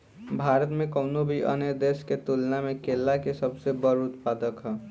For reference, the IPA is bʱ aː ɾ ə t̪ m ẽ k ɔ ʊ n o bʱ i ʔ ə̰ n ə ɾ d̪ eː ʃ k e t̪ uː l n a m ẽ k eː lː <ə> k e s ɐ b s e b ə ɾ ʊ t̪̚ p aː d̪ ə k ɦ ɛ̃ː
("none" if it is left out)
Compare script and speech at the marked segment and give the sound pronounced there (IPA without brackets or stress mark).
a